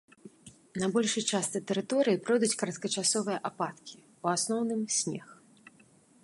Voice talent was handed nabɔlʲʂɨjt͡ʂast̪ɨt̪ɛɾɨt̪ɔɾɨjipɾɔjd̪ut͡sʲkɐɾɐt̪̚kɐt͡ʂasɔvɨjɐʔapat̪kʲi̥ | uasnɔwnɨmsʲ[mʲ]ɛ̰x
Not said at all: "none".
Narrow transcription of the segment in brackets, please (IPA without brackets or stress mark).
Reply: nʲ